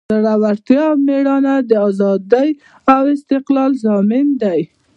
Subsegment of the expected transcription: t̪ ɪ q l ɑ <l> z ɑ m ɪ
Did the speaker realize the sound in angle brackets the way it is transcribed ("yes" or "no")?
yes